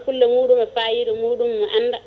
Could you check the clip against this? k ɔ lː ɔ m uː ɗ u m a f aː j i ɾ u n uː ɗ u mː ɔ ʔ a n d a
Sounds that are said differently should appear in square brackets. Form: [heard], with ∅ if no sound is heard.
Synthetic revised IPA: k [u] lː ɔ m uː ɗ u m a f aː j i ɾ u [m] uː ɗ u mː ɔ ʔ a n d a